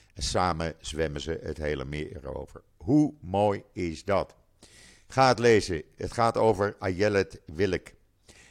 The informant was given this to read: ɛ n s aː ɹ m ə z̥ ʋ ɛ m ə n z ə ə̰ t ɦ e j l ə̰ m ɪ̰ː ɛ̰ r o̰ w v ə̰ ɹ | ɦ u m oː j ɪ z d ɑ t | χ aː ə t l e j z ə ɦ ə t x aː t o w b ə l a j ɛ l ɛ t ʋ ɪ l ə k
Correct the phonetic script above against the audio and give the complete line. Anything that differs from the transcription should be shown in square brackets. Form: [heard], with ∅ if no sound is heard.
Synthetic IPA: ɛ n s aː [∅] m ə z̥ ʋ ɛ m ə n z ə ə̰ t ɦ e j l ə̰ m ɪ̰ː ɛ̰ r o̰ w v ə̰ ɹ | ɦ u m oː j ɪ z d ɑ t | χ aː ə t l e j z ə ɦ ə t [χ] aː t o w [v] ə [ɹ] a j ɛ l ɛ t ʋ ɪ l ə k